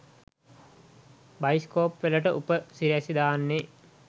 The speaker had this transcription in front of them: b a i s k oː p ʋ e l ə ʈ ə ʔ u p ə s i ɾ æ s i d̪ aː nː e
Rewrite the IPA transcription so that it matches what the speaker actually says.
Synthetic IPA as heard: b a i s k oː p ʋ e l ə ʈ ə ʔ u p ə s i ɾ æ s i d̪ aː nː e